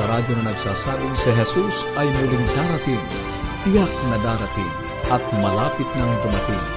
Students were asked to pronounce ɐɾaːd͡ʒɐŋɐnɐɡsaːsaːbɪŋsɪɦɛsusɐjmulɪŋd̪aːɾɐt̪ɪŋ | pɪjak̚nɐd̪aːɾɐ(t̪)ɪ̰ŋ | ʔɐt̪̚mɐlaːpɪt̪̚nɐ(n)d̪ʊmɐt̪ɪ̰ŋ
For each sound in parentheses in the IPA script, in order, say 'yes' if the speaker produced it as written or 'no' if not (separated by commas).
yes, no